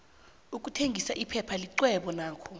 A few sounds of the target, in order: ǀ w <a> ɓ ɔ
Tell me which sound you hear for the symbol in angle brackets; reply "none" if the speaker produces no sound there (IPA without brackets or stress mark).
ɛ